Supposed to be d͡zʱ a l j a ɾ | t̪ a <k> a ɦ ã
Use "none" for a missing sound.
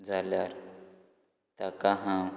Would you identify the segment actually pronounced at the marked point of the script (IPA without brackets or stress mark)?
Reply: k